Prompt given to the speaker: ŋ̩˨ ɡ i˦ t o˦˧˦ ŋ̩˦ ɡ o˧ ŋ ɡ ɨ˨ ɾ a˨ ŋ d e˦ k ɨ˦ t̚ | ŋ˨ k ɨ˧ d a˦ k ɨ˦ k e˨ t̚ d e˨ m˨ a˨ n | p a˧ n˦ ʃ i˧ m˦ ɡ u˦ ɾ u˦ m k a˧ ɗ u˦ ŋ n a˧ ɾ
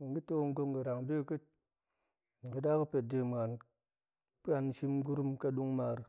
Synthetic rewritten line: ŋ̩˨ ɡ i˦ t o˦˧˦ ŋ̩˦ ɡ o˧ ŋ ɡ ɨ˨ ɾ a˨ ŋ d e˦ k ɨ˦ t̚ | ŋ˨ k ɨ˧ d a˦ k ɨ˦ p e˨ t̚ d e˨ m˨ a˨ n | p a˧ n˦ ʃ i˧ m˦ ɡ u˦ ɾ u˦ m k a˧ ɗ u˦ ŋ m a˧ ɾ